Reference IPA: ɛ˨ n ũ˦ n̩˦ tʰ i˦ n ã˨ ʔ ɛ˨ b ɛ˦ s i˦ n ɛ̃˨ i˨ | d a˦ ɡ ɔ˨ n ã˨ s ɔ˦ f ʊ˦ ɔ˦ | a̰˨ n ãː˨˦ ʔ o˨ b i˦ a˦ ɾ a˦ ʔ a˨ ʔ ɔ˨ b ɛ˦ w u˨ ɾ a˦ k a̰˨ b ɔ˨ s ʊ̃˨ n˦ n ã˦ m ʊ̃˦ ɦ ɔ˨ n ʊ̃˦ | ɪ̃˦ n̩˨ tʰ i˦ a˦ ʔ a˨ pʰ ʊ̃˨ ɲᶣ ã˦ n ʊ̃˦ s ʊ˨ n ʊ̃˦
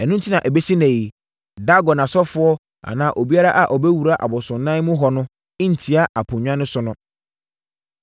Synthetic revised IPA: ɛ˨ n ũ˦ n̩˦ tʰ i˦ n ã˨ ʔ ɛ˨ b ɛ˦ s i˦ n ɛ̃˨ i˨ | d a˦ ɡ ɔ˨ n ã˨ s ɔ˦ f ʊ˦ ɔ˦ | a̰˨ n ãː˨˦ ʔ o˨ b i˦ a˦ ɾ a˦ ʔ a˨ ʔ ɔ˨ b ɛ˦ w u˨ ɾ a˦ ʔ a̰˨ b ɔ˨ s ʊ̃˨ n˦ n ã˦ m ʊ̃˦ ɦ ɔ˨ n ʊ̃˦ | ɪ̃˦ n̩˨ tʰ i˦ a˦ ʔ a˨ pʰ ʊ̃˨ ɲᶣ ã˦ n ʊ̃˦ s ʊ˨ n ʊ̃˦